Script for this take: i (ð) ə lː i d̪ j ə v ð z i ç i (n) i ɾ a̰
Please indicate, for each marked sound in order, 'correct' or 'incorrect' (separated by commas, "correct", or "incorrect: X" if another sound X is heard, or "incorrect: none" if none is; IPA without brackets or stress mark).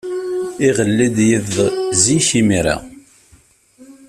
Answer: incorrect: ʁ, incorrect: m